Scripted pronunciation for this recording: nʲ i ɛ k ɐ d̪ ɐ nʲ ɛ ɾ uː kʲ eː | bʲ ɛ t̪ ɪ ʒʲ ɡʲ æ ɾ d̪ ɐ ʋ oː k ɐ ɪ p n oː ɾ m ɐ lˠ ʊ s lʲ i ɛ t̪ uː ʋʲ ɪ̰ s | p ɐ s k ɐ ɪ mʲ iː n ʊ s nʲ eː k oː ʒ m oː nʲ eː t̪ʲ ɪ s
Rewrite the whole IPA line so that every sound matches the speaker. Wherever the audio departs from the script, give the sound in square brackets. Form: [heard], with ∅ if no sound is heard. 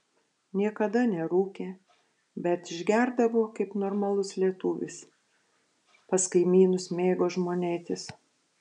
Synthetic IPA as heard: nʲ i ɛ k ɐ d̪ ɐ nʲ ɛ ɾ uː kʲ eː | bʲ ɛ t̪ ɪ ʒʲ ɡʲ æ ɾ d̪ ɐ ʋ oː k ɐ ɪ p n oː ɾ m ɐ lˠ ʊ s lʲ i ɛ t̪ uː ʋʲ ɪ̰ s | p ɐ s k ɐ ɪ mʲ iː n ʊ s [mʲ] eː [ɡ] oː ʒ m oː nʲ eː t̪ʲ ɪ s